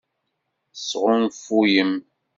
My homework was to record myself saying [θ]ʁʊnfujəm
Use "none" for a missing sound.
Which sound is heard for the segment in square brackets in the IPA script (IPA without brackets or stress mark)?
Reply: s